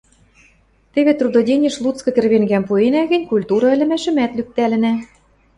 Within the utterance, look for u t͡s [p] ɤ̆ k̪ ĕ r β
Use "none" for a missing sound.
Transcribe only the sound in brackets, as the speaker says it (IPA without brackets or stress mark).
k